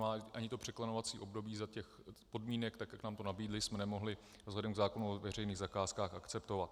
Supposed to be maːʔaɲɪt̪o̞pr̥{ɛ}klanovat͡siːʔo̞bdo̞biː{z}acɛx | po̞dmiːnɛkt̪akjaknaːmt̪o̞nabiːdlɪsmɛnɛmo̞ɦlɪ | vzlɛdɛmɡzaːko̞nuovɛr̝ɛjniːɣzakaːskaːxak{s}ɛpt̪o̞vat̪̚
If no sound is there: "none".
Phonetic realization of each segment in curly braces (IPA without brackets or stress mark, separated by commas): ɛ, z, t͡s